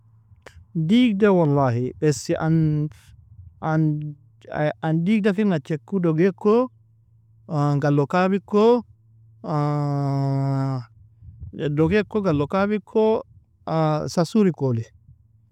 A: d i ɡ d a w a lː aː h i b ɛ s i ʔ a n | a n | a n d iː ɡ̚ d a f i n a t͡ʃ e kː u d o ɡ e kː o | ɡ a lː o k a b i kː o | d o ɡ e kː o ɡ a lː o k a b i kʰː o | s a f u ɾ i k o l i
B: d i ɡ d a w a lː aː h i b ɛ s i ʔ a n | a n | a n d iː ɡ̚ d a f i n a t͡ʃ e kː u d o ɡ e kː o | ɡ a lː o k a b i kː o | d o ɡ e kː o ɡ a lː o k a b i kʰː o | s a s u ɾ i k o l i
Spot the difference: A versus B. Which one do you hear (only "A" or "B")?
B